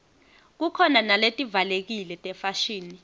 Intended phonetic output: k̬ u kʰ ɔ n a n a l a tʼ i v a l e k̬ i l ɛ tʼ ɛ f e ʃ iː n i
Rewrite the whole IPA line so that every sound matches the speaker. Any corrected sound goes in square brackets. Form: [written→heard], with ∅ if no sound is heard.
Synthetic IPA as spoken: k̬ u kʰ ɔ n a n a l [a→e] tʼ i v a l e k̬ i l ɛ tʼ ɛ f [e→a] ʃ iː n i